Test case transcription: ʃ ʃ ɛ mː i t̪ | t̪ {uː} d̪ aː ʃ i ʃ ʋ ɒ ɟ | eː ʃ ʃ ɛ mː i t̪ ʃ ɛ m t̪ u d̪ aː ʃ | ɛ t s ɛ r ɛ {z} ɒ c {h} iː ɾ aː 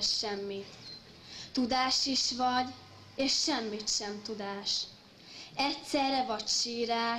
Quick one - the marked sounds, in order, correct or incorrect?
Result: incorrect: u, incorrect: v, incorrect: ʃ

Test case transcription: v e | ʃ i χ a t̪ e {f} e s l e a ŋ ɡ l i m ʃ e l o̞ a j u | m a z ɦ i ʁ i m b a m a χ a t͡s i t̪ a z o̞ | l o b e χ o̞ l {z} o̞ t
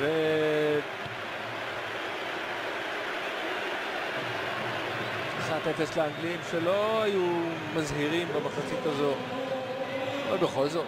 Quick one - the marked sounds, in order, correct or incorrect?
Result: correct, correct

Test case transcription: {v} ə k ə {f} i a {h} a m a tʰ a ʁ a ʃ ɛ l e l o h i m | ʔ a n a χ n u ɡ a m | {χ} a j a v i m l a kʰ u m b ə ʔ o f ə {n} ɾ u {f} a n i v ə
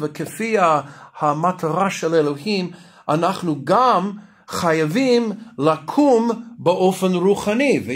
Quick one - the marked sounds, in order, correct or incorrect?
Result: correct, correct, correct, correct, correct, incorrect: χ

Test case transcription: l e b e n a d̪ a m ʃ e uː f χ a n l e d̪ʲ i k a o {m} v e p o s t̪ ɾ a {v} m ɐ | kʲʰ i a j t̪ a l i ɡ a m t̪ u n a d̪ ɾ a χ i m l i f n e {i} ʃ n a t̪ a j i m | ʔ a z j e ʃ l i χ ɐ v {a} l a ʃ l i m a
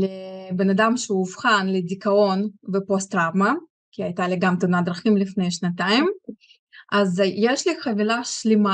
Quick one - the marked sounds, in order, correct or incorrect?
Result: incorrect: n, correct, incorrect: j, incorrect: i

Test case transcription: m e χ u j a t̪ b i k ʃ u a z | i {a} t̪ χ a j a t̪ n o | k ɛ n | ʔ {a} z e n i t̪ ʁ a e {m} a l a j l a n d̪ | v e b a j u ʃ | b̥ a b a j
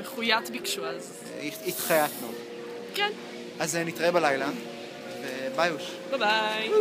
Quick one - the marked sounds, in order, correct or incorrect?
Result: incorrect: i, correct, incorrect: b

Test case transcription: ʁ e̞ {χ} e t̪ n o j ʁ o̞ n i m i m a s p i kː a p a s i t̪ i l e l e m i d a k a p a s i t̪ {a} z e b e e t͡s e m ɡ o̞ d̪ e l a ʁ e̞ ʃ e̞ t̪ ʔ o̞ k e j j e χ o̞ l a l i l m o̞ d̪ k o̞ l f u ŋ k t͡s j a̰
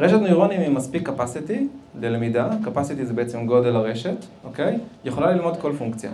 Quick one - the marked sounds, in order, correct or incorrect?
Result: incorrect: ʃ, incorrect: i

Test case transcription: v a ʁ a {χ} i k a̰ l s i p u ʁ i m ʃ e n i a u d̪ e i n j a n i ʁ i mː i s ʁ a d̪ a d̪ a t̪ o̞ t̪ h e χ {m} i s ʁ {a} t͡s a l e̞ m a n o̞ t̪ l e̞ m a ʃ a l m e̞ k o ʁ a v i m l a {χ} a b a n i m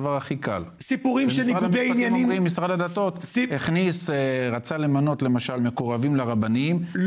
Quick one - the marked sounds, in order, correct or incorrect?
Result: correct, incorrect: n, correct, incorrect: ʁ

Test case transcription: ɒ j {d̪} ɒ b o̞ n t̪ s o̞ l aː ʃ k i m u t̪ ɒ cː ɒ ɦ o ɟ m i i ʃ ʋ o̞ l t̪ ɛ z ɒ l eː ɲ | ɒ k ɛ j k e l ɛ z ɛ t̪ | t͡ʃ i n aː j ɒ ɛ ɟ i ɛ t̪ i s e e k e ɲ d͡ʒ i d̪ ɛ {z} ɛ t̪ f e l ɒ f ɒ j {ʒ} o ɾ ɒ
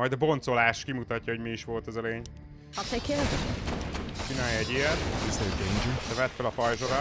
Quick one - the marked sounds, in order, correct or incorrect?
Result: correct, incorrect: v, correct

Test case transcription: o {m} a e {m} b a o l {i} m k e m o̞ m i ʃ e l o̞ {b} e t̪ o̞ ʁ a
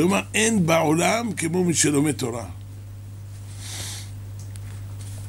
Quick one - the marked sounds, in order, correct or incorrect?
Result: correct, incorrect: n, incorrect: a, incorrect: m

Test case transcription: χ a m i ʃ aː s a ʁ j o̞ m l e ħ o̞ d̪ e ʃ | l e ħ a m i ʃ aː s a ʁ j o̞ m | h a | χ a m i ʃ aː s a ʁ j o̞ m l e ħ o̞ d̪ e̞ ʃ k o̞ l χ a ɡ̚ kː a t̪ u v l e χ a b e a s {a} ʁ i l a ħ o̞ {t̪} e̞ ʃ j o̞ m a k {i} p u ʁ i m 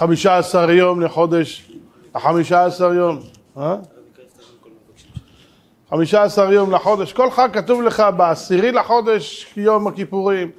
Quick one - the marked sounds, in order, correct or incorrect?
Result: incorrect: i, incorrect: d̪, correct

